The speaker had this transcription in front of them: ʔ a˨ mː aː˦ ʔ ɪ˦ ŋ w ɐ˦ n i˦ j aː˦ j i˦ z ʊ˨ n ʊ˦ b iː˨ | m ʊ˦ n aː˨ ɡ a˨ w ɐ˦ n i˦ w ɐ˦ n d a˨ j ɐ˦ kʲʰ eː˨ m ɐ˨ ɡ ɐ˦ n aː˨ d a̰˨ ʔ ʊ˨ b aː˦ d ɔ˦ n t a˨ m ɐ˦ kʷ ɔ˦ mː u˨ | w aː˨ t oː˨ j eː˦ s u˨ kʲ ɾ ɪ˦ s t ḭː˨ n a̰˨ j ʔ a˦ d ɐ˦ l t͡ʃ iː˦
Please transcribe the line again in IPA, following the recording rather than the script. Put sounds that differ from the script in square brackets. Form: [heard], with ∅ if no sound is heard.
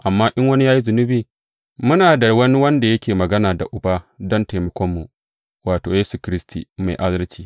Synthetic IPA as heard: ʔ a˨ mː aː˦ ʔ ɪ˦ ŋ w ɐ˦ n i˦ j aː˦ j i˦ z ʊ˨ n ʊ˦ b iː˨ | m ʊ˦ n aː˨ [d] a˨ w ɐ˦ n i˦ w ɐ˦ n d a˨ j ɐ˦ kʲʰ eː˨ m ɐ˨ ɡ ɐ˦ n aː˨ d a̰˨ ʔ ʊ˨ b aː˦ d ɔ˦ n t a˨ m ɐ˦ kʷ ɔ˦ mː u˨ | w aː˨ t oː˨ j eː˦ s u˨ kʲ ɾ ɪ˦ s t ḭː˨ [m] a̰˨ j ʔ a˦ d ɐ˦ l t͡ʃ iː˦

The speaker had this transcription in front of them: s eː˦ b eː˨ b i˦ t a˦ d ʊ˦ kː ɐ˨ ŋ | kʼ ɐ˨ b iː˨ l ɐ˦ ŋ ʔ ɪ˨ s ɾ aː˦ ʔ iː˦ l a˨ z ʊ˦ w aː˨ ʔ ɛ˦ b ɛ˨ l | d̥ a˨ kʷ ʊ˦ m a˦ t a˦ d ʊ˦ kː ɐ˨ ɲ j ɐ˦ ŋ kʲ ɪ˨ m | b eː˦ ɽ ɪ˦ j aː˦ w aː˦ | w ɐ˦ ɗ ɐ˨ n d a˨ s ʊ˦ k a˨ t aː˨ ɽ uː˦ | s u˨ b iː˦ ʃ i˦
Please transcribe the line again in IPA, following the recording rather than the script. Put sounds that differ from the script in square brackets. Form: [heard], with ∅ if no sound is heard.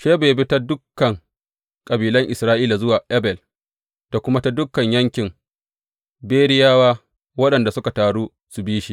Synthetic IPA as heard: [ʃ] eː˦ b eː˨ b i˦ t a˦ d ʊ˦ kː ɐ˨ ŋ | kʼ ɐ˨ b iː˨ l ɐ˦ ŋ ʔ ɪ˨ s ɾ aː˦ ʔ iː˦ l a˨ z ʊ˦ w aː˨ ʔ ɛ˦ b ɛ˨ l | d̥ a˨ kʷ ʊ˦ m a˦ t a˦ d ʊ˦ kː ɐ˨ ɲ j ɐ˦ ŋ kʲ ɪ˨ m | b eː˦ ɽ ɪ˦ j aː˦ w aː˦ | w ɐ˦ ɗ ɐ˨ n d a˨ s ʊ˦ k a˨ t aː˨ ɽ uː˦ | s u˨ b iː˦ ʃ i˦

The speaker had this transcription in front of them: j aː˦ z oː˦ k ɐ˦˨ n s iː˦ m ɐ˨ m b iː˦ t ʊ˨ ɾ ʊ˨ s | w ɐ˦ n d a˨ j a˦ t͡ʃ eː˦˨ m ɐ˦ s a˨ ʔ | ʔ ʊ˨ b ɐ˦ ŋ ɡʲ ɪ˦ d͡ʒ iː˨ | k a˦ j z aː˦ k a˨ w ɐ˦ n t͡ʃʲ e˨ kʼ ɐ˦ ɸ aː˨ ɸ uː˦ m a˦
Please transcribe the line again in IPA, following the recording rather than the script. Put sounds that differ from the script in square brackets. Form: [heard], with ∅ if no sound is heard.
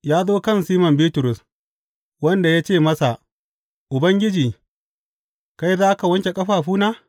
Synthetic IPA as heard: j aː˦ z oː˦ k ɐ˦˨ n s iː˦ m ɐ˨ m b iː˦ t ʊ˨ ɾ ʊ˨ s | w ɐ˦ n d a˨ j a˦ t͡ʃ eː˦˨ m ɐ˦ s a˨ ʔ | ʔ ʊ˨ b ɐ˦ ŋ ɡʲ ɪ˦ d͡ʒ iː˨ | k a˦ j z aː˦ k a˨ w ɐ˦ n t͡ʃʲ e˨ kʼ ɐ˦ ɸ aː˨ ɸ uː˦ [n] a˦

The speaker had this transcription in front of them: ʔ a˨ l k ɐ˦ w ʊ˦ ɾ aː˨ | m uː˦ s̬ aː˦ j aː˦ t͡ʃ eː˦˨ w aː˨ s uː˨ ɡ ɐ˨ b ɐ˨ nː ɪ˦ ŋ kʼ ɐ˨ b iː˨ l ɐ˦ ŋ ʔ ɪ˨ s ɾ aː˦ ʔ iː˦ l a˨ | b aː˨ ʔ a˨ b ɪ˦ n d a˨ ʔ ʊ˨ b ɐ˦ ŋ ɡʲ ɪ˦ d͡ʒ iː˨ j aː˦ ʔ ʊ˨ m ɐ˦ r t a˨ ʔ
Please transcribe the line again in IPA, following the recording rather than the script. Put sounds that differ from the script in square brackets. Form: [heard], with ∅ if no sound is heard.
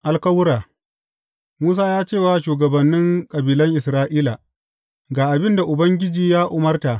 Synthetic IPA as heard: ʔ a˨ l k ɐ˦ w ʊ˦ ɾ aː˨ | m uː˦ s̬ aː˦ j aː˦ t͡ʃ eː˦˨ w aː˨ [ʃ] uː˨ ɡ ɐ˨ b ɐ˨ nː ɪ˦ ŋ kʼ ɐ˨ b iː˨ l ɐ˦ ŋ ʔ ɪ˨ s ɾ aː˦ ʔ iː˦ l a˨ | [ɡ] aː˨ ʔ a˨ b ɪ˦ n d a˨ ʔ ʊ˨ b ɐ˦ ŋ ɡʲ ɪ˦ d͡ʒ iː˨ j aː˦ ʔ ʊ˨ m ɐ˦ r t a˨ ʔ

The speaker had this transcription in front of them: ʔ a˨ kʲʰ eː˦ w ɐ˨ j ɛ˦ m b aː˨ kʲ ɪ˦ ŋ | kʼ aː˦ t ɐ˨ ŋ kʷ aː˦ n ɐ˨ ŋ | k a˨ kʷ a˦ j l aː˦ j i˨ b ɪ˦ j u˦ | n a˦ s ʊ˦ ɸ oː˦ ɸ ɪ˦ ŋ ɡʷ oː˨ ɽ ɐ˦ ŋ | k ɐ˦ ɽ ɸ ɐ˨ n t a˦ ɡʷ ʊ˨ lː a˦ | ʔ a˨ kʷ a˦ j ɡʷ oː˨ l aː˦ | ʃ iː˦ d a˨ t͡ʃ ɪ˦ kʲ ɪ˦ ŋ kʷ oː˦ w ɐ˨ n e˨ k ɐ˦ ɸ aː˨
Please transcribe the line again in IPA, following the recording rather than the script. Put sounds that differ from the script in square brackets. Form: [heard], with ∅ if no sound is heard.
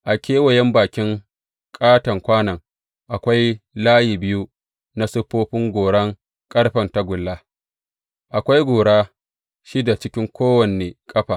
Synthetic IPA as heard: ʔ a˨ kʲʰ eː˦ w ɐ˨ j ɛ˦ m b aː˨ kʲ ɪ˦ ŋ | kʼ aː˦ t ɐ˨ ŋ kʷ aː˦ n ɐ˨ ŋ | [ʔ] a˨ kʷ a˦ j l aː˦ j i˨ b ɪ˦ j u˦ | n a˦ s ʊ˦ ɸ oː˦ ɸ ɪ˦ ŋ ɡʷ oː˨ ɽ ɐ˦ ŋ | [kʼ] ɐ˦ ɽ ɸ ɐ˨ n t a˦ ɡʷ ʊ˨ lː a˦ | ʔ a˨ kʷ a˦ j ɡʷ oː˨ [ɽ] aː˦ | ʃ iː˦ d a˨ t͡ʃ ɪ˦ kʲ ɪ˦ ŋ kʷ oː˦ w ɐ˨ n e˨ [kʼ] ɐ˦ ɸ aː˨

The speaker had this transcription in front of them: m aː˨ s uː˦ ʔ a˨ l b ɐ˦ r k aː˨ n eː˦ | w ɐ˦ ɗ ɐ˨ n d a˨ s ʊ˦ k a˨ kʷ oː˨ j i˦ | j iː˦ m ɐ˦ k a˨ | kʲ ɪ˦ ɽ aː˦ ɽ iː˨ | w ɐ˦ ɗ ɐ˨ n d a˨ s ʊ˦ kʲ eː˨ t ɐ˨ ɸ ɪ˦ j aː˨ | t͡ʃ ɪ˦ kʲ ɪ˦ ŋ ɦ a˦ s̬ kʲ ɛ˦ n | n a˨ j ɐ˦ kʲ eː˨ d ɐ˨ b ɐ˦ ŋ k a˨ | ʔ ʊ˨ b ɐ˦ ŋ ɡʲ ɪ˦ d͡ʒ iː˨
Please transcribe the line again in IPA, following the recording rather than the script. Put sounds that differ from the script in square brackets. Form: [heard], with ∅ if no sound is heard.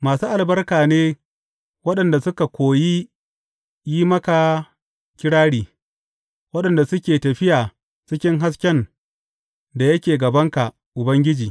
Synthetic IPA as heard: m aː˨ s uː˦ ʔ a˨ l b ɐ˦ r k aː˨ n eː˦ | w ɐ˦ ɗ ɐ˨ n d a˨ s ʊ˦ k a˨ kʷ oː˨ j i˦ | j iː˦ m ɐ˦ k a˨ | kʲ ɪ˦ ɽ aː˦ ɽ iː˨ | w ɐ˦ ɗ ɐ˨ n d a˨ s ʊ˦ kʲ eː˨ t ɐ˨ ɸ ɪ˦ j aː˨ | t͡ʃ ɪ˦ kʲ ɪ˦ ŋ ɦ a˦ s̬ kʲ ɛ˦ n | [d] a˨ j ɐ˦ kʲ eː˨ [ɡ] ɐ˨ b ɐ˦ ŋ k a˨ | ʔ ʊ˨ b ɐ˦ ŋ ɡʲ ɪ˦ d͡ʒ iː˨

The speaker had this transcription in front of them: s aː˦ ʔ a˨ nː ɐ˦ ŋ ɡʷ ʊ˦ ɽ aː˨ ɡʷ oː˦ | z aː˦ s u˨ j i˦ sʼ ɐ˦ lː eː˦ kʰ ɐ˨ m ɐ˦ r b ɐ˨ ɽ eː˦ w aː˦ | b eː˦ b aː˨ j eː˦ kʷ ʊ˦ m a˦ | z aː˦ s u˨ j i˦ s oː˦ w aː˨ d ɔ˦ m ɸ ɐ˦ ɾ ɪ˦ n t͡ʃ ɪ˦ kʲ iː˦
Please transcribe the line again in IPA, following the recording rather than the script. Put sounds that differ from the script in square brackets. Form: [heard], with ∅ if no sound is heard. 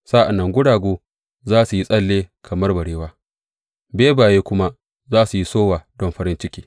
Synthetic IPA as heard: s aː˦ ʔ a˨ nː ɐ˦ ŋ ɡʷ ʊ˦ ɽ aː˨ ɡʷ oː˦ | z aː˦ s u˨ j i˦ sʼ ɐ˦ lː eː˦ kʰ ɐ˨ m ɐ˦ r b ɐ˨ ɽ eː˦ w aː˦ | b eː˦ b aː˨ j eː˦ kʷ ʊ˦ m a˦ | z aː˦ s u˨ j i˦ s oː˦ w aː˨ d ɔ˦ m ɸ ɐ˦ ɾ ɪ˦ n t͡ʃ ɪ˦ kʲ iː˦

